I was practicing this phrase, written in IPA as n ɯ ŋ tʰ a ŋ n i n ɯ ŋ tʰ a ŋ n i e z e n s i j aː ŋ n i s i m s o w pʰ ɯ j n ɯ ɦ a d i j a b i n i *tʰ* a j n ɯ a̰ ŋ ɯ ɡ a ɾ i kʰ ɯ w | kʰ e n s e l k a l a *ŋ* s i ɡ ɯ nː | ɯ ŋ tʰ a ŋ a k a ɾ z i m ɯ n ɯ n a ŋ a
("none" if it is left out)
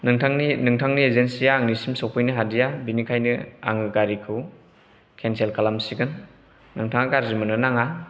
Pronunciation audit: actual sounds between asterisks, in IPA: kʰ, m

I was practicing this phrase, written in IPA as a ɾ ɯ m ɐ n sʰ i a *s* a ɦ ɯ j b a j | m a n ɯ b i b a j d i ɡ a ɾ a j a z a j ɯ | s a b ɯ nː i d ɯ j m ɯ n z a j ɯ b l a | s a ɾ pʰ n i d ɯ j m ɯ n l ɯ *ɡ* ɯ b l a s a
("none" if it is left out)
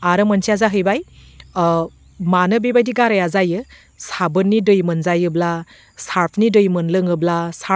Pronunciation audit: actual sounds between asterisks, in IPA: z, ŋ

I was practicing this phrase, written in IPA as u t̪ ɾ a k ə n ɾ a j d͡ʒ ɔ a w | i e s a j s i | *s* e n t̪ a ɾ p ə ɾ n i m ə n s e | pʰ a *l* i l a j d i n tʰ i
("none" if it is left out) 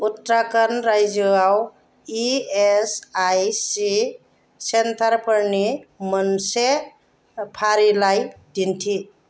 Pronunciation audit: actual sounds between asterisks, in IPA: s, ɾ

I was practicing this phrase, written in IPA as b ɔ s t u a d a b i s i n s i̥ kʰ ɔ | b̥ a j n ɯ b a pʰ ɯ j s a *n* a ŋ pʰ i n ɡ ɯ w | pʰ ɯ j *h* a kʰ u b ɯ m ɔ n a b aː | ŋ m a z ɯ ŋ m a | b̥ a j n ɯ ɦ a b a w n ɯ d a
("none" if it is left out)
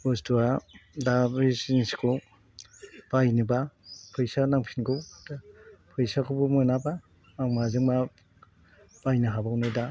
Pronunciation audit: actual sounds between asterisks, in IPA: n, s

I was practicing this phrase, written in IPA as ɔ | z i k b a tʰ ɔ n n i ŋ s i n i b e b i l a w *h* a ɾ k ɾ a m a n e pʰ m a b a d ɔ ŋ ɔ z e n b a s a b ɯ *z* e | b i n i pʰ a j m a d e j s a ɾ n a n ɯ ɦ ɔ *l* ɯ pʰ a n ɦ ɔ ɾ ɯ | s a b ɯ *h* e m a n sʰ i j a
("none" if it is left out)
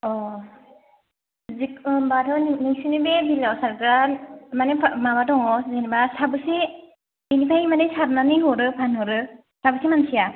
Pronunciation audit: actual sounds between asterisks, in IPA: s, s, ɾ, s

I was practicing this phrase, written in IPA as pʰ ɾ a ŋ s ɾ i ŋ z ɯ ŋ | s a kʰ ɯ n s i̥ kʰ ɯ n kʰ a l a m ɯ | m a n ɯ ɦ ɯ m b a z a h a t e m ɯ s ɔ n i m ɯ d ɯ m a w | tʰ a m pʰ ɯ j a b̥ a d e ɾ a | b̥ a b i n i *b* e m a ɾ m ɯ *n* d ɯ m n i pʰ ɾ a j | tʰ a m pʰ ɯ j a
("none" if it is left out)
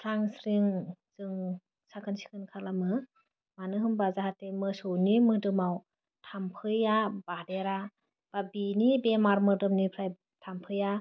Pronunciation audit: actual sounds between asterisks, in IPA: b, none

